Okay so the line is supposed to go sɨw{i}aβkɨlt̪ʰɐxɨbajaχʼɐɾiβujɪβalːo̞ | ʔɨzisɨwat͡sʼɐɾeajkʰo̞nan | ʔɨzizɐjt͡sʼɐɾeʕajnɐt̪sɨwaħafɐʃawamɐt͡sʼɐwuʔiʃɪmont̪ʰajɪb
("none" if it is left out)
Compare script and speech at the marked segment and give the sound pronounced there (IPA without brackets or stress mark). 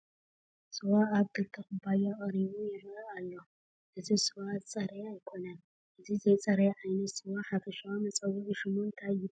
a